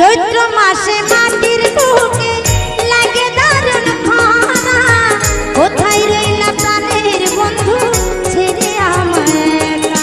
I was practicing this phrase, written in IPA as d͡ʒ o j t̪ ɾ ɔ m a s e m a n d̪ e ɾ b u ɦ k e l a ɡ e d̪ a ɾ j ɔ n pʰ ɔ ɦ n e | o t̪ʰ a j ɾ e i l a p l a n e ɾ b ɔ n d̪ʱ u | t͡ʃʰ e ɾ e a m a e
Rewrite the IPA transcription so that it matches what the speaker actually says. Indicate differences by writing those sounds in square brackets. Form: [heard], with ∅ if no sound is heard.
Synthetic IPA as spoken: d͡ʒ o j t̪ ɾ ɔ m a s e m a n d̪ [i] ɾ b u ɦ k e l a ɡ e d̪ a ɾ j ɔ n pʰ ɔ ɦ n [a] | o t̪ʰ a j ɾ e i l a p [ɾ] a n e ɾ b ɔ n d̪ʱ u | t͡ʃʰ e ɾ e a m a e